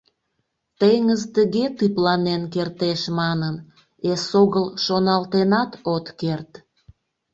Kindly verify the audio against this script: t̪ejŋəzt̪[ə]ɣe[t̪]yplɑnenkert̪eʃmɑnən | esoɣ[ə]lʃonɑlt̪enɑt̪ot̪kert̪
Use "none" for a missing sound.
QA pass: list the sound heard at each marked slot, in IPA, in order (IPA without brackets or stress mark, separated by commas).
ə, t̪, ə